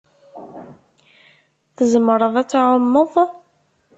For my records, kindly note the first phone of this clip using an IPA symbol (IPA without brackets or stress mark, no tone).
θ